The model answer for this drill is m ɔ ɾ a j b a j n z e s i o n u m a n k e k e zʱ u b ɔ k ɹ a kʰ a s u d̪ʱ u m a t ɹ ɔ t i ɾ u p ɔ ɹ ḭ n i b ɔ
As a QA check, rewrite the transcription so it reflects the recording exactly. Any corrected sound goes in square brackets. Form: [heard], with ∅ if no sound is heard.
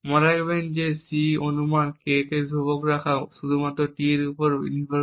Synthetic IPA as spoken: m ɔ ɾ a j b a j n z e s i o n u m a n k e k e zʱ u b ɔ k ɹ a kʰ a s u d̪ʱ u m a t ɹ ɔ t i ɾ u p ɔ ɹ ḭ n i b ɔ